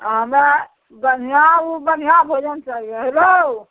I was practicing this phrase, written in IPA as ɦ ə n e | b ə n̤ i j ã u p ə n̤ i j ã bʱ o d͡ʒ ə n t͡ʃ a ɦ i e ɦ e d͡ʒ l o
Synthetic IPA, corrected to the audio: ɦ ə m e | b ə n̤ i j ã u b ə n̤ i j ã bʱ o d͡ʒ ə n t͡ʃ a ɦ i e ɦ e l o